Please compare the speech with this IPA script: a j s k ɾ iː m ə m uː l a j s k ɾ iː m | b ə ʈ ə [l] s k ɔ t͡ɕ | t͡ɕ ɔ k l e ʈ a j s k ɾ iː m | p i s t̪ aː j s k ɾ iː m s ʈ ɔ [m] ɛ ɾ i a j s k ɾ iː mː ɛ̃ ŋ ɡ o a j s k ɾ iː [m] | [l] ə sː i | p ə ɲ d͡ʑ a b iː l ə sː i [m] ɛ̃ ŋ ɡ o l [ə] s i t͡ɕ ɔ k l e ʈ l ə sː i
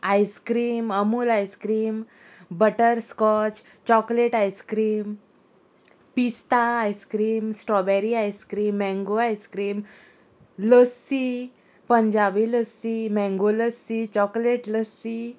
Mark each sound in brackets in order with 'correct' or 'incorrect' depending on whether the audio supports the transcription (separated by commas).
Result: incorrect, incorrect, correct, correct, correct, correct